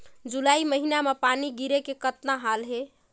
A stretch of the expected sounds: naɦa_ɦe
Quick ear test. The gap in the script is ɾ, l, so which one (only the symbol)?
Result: l